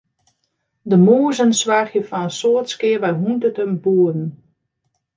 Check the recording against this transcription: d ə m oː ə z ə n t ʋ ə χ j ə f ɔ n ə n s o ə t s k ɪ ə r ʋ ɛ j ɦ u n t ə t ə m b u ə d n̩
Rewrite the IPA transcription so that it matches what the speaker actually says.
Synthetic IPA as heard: d ə m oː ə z ə n s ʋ a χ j ə f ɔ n ə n s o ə t s k ɪ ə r ʋ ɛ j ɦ u n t ə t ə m b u ə d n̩

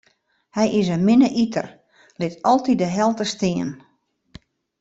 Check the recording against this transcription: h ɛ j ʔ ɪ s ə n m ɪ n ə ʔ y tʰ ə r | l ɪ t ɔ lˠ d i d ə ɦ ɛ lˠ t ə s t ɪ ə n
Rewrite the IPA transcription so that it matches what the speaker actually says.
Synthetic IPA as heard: h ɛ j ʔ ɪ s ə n m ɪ n ə ʔ i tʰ ə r | l ɪ t ɔ lˠ t i d ə ɦ ɛ lˠ t ə s t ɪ ə n

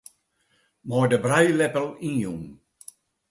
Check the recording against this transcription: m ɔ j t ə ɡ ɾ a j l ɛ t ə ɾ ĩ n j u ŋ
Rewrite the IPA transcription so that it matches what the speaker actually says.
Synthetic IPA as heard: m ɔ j d ə b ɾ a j l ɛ p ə l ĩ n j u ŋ

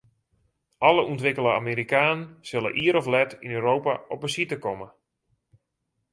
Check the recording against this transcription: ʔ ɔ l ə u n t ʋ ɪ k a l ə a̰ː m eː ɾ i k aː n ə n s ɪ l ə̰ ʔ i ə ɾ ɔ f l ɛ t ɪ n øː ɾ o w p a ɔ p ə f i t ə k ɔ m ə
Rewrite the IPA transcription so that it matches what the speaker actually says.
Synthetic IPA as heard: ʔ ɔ l ə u n t ʋ ɪ k ə l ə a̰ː m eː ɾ i k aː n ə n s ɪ l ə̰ ʔ i ə ɾ ɔ f l ɛ t i n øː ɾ o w p a ɔ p ə s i t ə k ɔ m ə

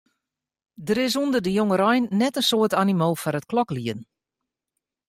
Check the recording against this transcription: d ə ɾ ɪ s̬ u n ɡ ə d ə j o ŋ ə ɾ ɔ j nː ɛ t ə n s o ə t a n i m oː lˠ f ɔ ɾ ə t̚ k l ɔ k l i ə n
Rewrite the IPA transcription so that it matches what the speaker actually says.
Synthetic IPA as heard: d ə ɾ ɪ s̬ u n d ə d ə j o ŋ ə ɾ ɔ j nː ɛ t ə n s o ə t a n i m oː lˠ f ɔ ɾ ə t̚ k l ɔ k l i ə n

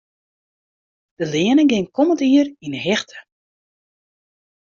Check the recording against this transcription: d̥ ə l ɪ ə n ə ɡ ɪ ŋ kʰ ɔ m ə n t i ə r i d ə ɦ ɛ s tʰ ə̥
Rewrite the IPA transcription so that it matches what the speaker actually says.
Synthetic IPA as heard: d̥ ə l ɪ ə n ə ɡ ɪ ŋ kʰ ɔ m ə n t i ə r i n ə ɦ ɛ x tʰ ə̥

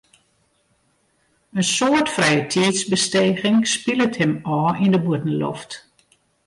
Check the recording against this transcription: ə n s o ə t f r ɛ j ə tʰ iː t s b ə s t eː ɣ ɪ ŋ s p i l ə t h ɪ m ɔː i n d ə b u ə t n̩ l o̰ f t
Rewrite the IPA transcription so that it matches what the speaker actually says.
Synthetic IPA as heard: ə n s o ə t f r ɛ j ə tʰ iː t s b ə s t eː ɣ ɪ ŋ s p i l ə t h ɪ m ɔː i n d ə b u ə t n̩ l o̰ f t

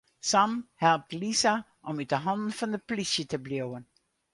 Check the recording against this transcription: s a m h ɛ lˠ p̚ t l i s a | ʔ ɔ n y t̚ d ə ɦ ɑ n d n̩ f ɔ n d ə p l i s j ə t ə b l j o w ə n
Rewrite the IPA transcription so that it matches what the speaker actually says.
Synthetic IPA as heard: s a m h ɛ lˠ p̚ t l i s a | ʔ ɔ m y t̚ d ə ɦ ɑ n d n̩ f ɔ n d ə p l i s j ə t ə b l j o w ə n

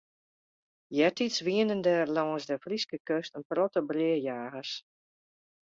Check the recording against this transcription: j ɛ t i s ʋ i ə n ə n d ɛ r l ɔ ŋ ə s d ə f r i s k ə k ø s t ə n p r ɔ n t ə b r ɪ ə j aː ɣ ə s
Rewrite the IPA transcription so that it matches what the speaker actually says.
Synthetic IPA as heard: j ɛ t i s ʋ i ə n ə n d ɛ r l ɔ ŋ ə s d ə f r i s k ə k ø s t ə n p r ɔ t ə b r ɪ ə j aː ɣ ə s

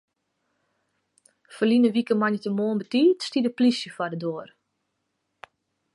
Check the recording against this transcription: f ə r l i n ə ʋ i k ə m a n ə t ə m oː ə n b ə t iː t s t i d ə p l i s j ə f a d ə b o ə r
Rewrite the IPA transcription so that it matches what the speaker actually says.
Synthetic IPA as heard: f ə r l i n ə ʋ i k ə m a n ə t ə m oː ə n b ə t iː t s t i d ə p l i s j ə f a d ə d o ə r

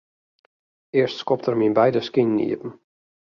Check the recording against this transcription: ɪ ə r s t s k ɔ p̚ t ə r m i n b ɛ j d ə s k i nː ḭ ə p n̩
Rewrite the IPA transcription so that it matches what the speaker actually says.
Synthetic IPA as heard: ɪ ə r s t s k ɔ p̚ t ə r m i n b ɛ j d ə s k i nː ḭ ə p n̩

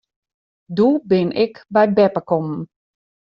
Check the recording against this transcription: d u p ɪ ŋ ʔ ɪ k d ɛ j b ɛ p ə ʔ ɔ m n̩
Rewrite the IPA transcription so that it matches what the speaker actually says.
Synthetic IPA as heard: d u b ɪ n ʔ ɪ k b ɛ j b ɛ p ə k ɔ m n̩

